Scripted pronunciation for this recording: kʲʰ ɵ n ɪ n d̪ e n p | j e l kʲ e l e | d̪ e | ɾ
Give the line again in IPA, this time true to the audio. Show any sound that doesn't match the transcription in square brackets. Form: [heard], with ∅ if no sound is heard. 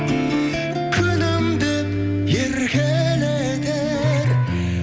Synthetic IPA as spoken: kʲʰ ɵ n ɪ [m] d̪ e [∅] p | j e [ɾ] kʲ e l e | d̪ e | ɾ

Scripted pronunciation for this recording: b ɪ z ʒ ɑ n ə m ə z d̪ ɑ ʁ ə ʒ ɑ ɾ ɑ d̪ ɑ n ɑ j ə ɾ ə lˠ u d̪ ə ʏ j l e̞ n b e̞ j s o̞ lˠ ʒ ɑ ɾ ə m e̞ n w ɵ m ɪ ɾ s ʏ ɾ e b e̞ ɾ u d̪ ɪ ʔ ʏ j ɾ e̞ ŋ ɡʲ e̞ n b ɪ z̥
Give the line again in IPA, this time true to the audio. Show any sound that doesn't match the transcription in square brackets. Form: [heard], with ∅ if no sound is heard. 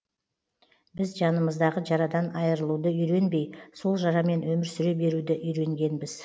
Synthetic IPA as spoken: b ɪ z ʒ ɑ n ə m ə z d̪ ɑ ʁ ə ʒ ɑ ɾ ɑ d̪ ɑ n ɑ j ə ɾ ə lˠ u d̪ ə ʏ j [ɾ] e̞ n b e̞ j s o̞ lˠ ʒ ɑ ɾ [ɑ] m e̞ n w ɵ m ɪ ɾ s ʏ ɾ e b e̞ ɾ u d̪ ɪ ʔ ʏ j ɾ e̞ ŋ ɡʲ e̞ n b ɪ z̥

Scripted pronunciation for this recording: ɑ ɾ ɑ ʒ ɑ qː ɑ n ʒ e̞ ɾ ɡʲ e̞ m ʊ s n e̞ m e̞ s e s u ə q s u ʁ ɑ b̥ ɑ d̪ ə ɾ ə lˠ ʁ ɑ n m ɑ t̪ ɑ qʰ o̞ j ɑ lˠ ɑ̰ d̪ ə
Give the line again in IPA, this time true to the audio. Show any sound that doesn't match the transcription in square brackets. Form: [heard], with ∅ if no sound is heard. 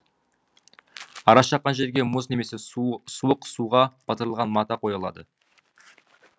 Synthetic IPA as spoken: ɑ ɾ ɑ [ʃ] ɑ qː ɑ n ʒ e̞ ɾ ɡʲ e̞ m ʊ [z] n e̞ m e̞ s e s u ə q s u ʁ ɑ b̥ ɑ [t̪] ə ɾ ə lˠ ʁ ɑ n m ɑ t̪ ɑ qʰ o̞ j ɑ lˠ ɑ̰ d̪ ə

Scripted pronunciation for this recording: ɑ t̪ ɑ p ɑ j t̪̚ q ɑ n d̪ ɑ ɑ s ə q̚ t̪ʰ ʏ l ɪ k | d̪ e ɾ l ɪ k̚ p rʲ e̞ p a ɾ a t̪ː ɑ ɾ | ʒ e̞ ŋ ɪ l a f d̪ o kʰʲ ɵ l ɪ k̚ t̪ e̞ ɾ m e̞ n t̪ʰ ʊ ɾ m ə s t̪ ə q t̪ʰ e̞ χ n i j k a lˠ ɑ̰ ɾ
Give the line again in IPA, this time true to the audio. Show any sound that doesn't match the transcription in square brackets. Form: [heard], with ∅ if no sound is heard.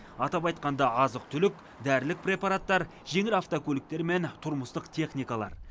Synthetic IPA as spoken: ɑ t̪ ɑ p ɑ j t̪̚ q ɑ n d̪ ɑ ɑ [z] ə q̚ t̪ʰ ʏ l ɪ k | d̪ [æ] ɾ l ɪ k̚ p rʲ e̞ p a ɾ a t̪ː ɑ ɾ | ʒ e̞ ŋ ɪ l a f [t̪] o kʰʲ ɵ l ɪ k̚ t̪ e̞ ɾ m e̞ n t̪ʰ ʊ ɾ m ə s t̪ ə q t̪ʰ e̞ χ n i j k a lˠ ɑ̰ ɾ

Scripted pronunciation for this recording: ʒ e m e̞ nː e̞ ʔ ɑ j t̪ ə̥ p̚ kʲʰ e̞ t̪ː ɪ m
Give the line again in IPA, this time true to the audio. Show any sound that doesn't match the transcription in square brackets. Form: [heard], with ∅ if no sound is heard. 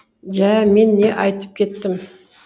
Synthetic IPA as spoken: ʒ [æ] m e̞ nː e̞ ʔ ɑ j t̪ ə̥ p̚ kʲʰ e̞ t̪ː ɪ m

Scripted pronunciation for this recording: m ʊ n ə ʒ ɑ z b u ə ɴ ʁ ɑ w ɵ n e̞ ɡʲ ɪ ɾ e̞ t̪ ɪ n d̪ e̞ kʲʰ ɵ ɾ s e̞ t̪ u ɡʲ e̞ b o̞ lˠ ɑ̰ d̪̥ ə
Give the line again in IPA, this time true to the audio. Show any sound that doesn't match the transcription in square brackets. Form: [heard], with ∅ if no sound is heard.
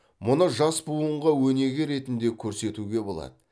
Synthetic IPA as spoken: m ʊ n ə ʒ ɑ [s] b u ə ɴ ʁ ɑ w ɵ n e̞ ɡʲ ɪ ɾ e̞ t̪ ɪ n d̪ e̞ kʲʰ ɵ ɾ s e̞ t̪ u ɡʲ e̞ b o̞ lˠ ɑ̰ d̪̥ ə

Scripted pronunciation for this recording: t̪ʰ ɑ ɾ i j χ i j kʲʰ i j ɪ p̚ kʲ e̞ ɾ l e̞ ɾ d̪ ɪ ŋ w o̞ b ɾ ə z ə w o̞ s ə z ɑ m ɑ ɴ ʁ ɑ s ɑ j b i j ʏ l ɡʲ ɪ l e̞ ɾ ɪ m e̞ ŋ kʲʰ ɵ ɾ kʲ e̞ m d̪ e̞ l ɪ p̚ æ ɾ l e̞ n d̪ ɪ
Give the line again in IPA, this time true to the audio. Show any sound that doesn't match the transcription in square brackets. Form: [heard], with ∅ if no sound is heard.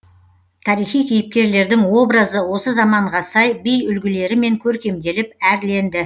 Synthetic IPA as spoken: t̪ʰ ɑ ɾ i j χ i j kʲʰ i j ɪ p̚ kʲ e̞ ɾ l e̞ ɾ d̪ ɪ ŋ w o̞ b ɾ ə z ə w o̞ s ə z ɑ m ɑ ɴ ʁ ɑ s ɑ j b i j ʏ l ɡʲ ɪ l e̞ ɾ ɪ m e̞ ŋ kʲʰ ɵ ɾ kʲ e̞ m d̪ e̞ l ɪ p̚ æ ɾ l e̞ n d̪ ɪ

